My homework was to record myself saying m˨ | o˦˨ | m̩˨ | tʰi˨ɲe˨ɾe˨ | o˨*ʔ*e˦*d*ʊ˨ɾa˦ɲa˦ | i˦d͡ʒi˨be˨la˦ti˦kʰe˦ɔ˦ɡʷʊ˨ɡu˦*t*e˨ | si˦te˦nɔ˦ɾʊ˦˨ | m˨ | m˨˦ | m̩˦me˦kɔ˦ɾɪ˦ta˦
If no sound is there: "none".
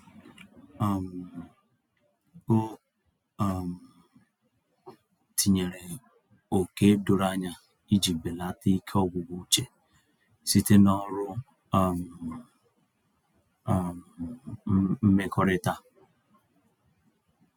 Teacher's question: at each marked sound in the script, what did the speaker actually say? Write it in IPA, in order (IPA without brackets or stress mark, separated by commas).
k, d, t͡ʃ